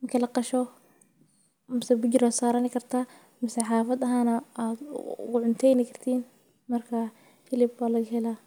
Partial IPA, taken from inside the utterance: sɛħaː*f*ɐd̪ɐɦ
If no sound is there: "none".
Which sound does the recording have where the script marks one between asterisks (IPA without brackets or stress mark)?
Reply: f